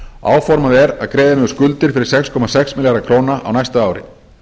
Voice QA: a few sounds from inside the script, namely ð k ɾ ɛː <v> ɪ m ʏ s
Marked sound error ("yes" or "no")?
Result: yes